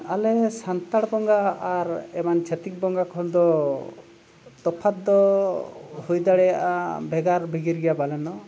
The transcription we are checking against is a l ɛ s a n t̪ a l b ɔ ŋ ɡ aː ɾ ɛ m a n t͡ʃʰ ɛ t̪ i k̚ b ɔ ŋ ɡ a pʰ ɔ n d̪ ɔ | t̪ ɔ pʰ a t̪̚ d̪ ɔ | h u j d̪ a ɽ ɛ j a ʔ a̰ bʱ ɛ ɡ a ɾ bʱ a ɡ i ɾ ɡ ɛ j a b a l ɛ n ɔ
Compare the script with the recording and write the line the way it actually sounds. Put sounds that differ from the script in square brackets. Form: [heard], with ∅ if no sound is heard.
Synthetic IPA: a l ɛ s a n t̪ a [ɽ] b ɔ ŋ ɡ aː ɾ ɛ m a n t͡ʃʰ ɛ t̪ i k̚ b ɔ ŋ ɡ a [kʰ] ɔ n d̪ ɔ | t̪ ɔ pʰ a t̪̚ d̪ ɔ | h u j d̪ a ɽ ɛ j a ʔ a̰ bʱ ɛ ɡ a ɾ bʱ [i] ɡ i ɾ ɡ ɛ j a b a l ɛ n ɔ